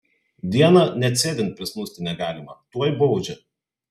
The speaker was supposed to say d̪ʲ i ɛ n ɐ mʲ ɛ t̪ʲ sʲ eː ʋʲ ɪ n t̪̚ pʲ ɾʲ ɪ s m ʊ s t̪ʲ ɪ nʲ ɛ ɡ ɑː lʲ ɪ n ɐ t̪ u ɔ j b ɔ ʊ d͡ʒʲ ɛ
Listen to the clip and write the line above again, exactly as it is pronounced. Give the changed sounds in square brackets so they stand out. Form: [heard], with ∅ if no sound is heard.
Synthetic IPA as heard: d̪ʲ i ɛ n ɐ [nʲ] ɛ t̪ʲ sʲ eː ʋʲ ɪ n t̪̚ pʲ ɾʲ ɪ s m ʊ s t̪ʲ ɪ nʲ ɛ ɡ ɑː lʲ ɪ [m] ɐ t̪ u ɔ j b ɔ ʊ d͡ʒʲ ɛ